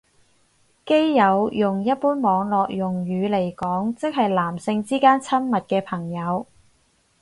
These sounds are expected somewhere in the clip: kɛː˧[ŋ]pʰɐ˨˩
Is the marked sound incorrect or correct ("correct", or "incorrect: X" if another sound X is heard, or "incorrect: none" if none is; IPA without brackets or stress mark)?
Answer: incorrect: none